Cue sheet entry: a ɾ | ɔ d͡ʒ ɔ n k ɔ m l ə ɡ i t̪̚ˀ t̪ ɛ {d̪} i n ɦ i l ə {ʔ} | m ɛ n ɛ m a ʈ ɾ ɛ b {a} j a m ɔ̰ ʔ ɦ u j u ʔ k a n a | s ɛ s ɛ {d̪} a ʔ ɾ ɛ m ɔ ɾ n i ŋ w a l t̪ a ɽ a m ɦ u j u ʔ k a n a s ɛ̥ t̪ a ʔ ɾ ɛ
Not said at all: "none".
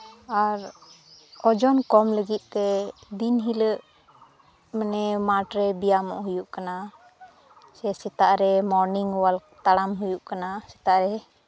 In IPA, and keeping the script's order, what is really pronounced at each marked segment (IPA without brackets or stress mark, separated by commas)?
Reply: d̪, ʔ, i, t̪